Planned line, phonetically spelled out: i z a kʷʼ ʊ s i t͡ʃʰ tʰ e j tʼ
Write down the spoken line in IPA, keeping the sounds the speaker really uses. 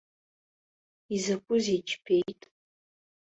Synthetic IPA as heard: i z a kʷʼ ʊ z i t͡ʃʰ pʰ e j tʼ

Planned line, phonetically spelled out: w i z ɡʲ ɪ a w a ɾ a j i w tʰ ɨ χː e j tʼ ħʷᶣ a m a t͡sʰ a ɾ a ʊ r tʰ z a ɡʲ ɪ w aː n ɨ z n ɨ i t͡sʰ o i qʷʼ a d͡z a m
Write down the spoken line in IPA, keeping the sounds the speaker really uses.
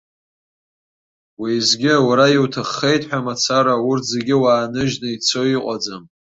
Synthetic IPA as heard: w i z ɡʲ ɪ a w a ɾ a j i w tʰ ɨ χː e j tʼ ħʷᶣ a m a t͡sʰ a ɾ a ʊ r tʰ z e ɡʲ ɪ w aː n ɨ ʒ n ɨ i t͡sʰ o i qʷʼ a d͡z a m

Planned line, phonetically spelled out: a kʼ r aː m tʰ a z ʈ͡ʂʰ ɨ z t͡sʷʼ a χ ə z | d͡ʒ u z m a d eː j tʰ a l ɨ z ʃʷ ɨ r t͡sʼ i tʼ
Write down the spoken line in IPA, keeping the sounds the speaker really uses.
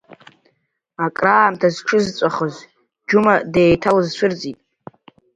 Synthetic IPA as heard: a kʼ r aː m tʰ a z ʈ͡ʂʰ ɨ z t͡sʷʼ a χ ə z | d͡ʒ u m a d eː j tʰ a l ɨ z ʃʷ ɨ r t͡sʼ i tʼ

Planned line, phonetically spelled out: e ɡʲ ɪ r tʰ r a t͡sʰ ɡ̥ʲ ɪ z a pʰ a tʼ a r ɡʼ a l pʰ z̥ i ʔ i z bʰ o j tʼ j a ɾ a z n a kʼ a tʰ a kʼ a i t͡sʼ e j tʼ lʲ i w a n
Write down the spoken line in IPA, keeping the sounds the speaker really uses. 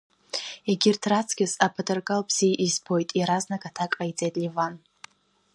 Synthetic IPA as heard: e ɡʲ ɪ r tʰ r a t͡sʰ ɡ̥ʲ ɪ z a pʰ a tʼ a r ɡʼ a l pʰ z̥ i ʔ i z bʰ o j tʼ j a ɾ a z n a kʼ a tʰ a kʼ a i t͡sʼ e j tʼ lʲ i v a n

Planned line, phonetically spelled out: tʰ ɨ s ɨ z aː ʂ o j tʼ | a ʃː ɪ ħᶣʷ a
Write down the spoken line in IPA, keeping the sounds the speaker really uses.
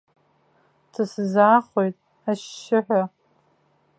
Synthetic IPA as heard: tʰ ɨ s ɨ z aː χ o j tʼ | a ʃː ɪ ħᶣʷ a

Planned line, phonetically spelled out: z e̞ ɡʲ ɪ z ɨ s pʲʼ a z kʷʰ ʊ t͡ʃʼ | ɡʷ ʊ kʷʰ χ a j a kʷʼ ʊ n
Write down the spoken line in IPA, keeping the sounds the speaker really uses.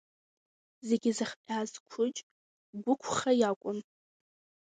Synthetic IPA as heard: z e̞ ɡʲ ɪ z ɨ χ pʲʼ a z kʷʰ ʊ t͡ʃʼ | ɡʷ ʊ kʷʰ χ a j a kʷʼ ʊ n

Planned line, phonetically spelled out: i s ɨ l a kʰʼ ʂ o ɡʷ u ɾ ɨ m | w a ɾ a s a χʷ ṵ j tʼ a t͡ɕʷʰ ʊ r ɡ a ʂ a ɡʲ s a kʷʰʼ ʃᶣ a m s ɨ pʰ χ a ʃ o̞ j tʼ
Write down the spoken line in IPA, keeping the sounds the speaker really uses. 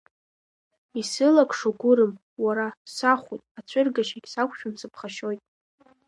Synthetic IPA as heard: i s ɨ l a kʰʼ ʂ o ɡʷ ʊ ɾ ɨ m | w a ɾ a s a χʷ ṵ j tʼ a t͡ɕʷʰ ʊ r ɡ a ʃ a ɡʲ s a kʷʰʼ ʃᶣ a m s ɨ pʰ χ a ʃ o̞ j tʼ

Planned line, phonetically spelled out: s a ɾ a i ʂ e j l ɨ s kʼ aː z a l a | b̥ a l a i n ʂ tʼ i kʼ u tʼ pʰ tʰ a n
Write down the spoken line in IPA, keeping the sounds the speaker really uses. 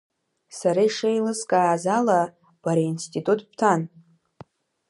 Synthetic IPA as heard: s a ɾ a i ʂ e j l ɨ s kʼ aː z a l a | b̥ a ɾ a i n s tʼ i tʼ u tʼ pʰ tʰ a n

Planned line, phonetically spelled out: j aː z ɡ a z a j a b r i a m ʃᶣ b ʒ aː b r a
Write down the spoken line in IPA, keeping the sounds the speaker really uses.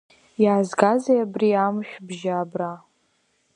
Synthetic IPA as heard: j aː z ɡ a z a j a b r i a m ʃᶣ b ʒ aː b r a

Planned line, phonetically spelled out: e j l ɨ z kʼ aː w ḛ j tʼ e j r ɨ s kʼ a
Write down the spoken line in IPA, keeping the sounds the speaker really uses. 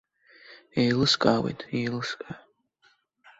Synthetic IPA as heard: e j l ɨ s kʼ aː w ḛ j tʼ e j l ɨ s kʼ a

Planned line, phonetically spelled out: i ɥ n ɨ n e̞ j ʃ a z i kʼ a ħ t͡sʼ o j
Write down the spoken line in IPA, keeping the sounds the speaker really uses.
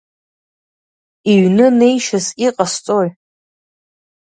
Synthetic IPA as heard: i ɥ n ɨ n e̞ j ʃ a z i qʼ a s t͡sʼ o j

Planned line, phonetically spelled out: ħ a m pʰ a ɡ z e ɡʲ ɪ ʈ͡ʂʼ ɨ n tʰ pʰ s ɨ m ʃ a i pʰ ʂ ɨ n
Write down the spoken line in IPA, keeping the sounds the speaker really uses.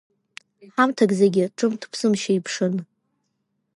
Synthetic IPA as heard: ħ a m tʰ a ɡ z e ɡʲ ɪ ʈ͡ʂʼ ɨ m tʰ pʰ s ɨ m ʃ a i pʰ ʂ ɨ n

